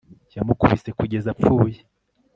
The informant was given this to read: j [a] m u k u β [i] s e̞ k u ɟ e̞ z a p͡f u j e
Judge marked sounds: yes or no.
yes, yes

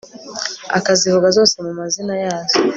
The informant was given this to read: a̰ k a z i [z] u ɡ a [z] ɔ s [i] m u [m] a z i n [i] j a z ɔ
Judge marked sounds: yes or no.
no, yes, no, yes, no

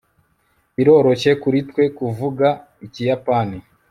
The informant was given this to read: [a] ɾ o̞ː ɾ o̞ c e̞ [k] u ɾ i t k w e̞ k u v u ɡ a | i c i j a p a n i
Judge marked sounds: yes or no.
no, yes

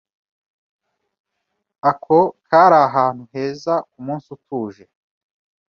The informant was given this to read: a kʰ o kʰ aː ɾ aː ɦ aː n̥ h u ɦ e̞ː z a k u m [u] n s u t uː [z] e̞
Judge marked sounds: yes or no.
no, no

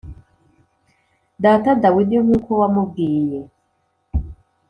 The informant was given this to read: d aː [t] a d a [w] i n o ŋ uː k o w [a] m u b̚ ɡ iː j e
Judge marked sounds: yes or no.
yes, yes, yes

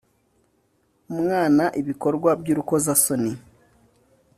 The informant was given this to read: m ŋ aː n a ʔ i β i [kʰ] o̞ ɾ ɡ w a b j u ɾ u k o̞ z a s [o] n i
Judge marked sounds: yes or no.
no, yes

